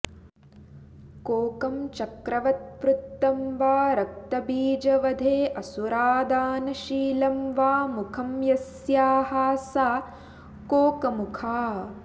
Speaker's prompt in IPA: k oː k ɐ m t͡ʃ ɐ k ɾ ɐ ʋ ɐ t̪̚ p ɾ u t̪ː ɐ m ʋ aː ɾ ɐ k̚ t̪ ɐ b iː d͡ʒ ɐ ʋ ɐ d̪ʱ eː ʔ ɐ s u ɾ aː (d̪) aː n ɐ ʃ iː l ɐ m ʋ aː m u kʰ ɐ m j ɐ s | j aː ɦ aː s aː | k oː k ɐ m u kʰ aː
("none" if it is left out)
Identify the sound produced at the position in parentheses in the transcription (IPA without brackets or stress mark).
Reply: d̪